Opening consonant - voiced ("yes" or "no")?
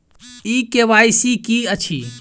no